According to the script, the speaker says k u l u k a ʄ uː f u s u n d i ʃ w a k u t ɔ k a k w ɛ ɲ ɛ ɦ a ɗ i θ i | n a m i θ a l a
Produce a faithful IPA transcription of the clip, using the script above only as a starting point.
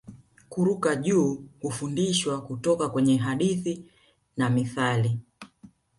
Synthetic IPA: k u ɾ u k a ʄ uː h u f u n d i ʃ w a k u t ɔ k a k w ɛ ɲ ɛ ɦ a ɗ i θ i | n a m i θ a l i